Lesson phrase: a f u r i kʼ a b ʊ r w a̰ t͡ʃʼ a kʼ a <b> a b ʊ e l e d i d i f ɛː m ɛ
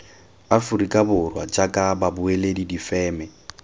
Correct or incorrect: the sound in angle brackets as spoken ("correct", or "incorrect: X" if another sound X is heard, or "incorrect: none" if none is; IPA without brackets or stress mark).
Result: correct